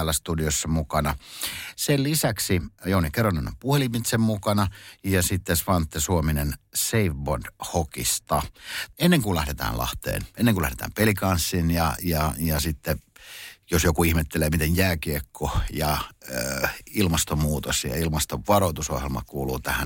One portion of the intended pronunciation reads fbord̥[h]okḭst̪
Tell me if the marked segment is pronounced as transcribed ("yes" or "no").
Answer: yes